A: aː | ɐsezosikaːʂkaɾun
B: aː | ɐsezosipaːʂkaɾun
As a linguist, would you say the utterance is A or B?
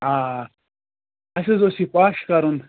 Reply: B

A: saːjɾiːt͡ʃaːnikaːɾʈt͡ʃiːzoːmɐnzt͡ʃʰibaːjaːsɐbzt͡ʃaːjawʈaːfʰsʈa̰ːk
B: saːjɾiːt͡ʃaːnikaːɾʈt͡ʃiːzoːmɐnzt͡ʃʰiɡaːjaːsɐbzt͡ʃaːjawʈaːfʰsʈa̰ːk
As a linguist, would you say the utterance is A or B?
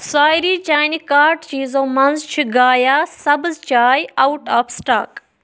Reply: B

